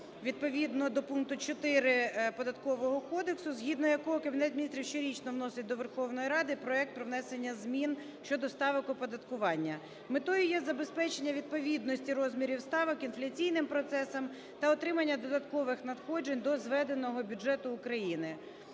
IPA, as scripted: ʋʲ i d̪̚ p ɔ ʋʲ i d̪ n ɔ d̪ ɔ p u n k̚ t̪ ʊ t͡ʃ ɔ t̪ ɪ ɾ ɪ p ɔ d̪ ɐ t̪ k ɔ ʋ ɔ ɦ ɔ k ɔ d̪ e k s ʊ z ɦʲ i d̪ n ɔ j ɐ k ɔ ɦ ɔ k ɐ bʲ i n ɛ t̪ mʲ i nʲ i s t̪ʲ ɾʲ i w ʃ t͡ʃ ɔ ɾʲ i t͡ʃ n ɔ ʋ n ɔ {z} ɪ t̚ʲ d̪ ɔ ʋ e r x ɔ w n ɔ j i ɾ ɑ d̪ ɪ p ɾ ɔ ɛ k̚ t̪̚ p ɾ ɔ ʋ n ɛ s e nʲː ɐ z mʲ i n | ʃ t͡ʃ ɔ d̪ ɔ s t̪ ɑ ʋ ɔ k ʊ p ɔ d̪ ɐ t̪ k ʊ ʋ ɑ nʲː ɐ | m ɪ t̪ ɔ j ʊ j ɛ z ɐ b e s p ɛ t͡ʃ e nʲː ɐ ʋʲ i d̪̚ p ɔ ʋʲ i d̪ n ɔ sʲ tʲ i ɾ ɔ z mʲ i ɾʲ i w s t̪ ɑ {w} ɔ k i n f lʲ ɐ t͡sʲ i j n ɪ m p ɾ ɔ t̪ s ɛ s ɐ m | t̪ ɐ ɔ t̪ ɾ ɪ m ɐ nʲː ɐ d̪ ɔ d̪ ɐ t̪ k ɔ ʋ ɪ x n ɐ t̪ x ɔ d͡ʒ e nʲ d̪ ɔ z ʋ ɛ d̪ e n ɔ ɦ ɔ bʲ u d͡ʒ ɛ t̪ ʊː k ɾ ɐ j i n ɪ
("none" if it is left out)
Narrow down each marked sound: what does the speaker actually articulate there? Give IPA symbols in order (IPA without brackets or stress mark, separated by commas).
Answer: s, ʋ